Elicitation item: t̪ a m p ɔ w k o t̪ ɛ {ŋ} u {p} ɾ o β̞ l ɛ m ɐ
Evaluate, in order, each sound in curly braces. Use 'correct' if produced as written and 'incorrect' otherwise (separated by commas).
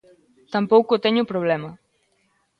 incorrect, correct